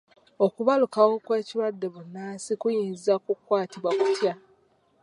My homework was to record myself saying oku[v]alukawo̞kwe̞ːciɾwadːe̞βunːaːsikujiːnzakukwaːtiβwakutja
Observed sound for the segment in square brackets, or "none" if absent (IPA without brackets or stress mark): β